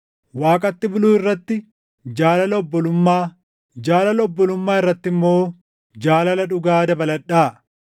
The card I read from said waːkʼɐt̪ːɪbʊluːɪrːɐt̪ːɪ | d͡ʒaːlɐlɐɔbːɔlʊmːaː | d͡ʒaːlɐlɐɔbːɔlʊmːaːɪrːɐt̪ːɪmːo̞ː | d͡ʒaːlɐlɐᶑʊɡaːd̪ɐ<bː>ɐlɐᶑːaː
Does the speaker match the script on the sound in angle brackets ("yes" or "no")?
no